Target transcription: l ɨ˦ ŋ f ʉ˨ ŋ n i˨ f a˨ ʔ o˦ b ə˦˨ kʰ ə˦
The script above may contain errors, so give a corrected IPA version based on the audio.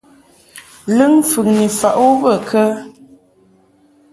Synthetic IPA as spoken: l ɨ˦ ŋ f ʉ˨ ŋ n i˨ f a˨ ʔ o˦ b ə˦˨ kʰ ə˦